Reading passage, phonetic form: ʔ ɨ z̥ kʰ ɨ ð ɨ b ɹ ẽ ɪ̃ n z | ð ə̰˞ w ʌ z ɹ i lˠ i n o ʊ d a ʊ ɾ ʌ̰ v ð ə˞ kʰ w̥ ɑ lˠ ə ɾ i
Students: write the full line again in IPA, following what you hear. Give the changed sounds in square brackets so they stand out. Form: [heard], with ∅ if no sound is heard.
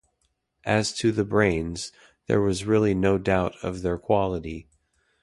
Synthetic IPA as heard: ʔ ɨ z̥ [tʰ] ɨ ð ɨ b ɹ ẽ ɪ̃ n z | ð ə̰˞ w ʌ z ɹ [ɪ] lˠ i n o ʊ d a ʊ ɾ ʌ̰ v ð ə˞ kʰ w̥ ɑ lˠ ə ɾ i